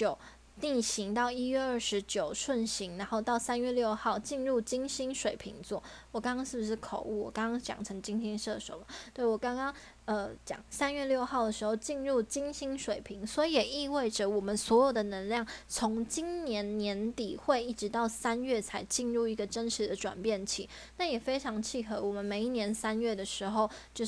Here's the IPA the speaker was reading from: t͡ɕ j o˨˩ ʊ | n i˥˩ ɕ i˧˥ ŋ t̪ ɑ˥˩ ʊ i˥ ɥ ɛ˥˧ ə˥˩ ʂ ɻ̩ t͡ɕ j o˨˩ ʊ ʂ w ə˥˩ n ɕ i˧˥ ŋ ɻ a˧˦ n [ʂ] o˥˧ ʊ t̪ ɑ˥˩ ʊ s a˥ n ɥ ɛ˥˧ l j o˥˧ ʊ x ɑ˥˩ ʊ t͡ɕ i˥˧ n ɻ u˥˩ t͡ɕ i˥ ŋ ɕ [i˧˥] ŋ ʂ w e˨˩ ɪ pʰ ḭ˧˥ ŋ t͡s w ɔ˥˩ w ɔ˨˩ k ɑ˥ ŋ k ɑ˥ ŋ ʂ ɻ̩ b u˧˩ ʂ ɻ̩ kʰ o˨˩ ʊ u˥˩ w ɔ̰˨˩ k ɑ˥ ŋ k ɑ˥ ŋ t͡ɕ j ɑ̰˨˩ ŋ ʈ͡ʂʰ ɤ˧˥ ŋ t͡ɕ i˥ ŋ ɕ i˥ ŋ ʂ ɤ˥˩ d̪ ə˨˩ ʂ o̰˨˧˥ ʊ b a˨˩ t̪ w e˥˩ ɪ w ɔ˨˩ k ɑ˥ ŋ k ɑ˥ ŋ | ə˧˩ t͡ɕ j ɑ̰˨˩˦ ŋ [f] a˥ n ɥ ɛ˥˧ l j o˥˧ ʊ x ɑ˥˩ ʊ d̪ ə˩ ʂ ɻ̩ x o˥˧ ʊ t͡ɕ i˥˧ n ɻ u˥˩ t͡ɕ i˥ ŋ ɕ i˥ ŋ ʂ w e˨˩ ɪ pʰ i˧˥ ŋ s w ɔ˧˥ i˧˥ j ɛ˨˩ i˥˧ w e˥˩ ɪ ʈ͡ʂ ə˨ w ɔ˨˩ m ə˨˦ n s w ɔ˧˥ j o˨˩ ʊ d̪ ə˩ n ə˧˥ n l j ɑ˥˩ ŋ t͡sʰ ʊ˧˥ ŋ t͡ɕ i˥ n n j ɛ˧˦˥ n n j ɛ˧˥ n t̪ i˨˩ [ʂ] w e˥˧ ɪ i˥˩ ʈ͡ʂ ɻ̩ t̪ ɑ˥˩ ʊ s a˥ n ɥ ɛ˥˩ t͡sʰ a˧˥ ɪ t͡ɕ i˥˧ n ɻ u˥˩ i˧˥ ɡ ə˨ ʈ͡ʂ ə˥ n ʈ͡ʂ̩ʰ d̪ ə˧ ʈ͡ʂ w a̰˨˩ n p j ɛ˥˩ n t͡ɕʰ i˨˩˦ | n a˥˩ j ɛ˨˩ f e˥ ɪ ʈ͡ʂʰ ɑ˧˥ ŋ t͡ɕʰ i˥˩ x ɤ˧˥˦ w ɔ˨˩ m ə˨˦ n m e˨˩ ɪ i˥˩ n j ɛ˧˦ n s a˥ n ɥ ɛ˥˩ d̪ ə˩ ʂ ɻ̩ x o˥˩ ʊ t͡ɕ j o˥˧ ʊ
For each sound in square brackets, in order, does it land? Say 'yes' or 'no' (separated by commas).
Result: no, no, no, no